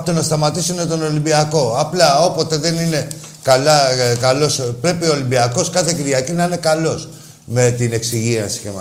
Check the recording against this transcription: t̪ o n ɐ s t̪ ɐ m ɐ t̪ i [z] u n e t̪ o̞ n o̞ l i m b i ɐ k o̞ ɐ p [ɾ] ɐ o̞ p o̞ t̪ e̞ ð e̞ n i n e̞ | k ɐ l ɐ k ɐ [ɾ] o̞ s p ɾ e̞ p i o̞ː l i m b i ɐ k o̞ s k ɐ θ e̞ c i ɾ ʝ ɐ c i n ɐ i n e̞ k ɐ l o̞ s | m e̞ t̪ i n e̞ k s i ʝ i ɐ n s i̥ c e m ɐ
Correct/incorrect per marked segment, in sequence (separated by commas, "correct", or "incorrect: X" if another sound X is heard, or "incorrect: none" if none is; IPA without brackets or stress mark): incorrect: s, incorrect: l, incorrect: l